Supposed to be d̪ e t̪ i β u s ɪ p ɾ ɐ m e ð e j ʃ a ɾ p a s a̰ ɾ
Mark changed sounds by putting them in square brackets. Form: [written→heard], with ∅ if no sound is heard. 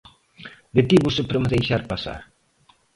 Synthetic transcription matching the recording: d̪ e t̪ i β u s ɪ p ɾ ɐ m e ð e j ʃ a ɾ p a s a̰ ɾ

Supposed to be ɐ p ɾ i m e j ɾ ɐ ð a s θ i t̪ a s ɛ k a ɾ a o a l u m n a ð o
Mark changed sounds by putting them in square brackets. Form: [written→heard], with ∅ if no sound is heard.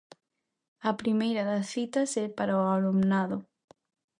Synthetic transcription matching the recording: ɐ p ɾ i m e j ɾ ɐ ð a s θ i t̪ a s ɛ [k→p] a ɾ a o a l u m n a ð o

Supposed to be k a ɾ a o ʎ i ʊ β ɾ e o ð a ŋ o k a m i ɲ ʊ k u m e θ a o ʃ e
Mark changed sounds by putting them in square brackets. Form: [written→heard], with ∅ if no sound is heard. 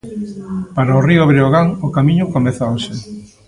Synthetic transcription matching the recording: [k→p] a ɾ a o [ʎ→r] i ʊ β ɾ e o [ð→ɣ] a ŋ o k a m i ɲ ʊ k [u→o] m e θ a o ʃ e

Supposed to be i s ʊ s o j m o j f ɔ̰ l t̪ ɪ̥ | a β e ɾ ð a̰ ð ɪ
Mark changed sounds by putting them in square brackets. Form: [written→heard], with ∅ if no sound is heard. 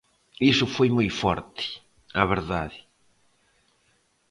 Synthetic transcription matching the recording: i s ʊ [s→f] o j m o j f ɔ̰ [l→ɾ] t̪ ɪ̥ | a β e ɾ ð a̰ ð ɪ

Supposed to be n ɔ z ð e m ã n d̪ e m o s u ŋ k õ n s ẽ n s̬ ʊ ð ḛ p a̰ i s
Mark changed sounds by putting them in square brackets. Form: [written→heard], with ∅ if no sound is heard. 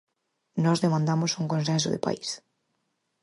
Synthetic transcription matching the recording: n ɔ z ð e m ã n d̪ [e→a] m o s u ŋ k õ n s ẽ n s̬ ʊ ð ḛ p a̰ i s

